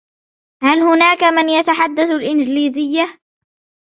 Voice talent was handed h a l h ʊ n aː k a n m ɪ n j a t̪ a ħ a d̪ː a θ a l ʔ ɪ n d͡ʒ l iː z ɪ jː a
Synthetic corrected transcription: h a l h ʊ n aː k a m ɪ n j a t̪ a ħ a d̪ː a θ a l ʔ ɪ n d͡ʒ l iː z ɪ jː a